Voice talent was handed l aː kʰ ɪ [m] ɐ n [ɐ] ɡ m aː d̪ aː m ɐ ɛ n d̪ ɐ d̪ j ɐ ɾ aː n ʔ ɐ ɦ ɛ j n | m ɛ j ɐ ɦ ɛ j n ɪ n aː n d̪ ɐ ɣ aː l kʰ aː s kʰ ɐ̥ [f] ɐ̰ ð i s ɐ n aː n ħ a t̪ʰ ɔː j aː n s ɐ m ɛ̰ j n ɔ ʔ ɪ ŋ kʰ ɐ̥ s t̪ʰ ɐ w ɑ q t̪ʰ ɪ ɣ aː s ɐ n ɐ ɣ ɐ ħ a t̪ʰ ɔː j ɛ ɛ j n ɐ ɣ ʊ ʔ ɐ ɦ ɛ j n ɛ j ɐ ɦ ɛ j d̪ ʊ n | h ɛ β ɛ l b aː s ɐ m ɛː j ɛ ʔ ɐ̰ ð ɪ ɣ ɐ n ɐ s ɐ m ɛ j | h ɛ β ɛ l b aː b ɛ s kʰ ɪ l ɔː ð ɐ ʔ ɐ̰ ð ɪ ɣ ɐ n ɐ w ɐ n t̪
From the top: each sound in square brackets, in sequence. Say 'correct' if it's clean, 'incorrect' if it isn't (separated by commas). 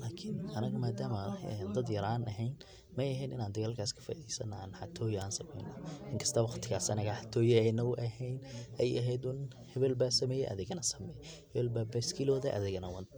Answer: incorrect, correct, correct